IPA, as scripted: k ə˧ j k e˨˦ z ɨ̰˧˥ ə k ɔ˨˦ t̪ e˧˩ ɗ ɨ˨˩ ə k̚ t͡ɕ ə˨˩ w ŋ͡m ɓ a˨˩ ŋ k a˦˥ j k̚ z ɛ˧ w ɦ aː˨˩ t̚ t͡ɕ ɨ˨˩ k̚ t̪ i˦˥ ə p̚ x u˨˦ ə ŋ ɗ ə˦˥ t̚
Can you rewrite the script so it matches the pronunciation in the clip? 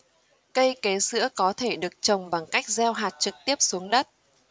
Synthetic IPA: k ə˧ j k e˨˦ s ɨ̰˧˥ ə k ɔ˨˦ t̪ʰ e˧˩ ɗ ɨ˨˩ ə k̚ t͡ɕ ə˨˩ w ŋ͡m ɓ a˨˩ ŋ k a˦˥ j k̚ z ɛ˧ w ɦ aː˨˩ t̚ t͡ɕ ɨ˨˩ k̚ t̪ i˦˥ ə p̚ s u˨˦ ə ŋ ɗ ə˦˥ t̚